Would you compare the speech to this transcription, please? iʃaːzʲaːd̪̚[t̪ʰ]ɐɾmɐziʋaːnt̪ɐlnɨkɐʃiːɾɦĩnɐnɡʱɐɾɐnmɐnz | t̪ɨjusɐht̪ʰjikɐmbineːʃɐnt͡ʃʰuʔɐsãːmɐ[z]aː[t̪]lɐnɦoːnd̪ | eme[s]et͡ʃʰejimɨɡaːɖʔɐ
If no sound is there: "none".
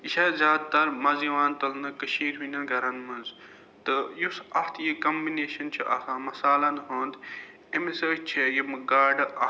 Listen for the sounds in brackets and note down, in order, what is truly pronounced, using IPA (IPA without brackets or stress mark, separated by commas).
t̪, s, none, s